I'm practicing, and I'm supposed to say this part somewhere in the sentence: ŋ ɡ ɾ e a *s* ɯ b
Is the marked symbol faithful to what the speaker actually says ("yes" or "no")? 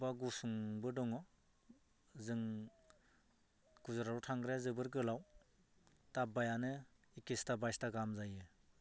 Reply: no